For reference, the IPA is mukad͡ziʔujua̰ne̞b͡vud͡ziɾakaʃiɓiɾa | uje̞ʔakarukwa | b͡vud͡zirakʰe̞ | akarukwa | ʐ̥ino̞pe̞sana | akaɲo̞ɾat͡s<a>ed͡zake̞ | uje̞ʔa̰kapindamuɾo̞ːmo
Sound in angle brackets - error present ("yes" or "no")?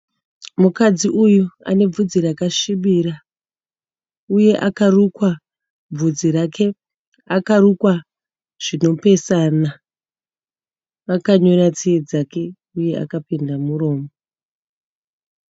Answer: yes